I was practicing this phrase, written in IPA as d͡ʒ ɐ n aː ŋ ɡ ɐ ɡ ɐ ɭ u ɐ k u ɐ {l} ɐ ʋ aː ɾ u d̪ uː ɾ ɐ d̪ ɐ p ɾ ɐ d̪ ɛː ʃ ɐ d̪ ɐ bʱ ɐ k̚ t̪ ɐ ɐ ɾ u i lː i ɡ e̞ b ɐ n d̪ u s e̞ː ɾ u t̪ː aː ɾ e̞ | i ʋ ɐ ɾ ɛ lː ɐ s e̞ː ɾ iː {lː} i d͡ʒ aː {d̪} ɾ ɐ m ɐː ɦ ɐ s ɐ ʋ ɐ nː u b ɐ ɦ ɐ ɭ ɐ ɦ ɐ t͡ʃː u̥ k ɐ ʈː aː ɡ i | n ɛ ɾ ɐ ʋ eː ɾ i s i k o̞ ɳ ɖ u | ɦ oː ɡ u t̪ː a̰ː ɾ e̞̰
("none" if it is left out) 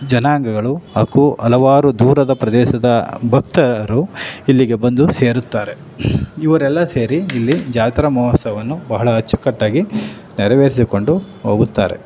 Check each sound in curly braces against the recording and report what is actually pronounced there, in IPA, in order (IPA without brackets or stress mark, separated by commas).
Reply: l, lː, t̪